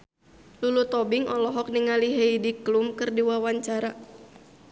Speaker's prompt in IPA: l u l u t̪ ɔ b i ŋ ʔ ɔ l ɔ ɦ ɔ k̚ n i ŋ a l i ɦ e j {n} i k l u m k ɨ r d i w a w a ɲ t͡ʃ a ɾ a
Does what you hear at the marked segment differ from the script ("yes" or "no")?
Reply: yes